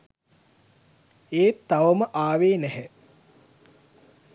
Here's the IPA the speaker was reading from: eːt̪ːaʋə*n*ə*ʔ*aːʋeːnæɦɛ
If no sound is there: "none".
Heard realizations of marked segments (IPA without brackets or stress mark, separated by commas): m, ʔ